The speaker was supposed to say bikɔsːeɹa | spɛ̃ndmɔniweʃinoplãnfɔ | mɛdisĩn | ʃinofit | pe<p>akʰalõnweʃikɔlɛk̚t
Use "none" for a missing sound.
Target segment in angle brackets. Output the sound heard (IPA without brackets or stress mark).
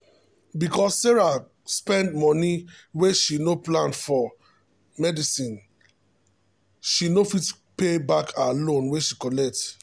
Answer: b